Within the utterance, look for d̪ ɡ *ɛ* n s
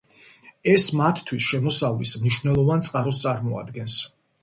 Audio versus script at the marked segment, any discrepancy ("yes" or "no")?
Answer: no